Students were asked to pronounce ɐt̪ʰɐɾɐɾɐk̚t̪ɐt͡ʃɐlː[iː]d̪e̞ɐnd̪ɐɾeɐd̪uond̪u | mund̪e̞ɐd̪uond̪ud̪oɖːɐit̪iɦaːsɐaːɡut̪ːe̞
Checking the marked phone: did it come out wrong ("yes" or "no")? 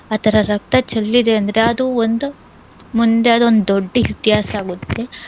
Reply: yes